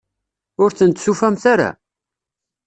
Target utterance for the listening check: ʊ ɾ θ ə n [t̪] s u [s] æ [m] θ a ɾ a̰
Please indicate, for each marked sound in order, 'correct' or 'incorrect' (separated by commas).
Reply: correct, incorrect, correct